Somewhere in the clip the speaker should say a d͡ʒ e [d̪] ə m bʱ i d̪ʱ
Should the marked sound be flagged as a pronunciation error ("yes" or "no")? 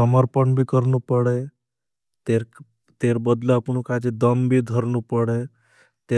no